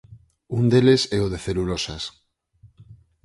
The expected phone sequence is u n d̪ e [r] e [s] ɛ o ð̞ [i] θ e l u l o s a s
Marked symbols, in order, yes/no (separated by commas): no, yes, no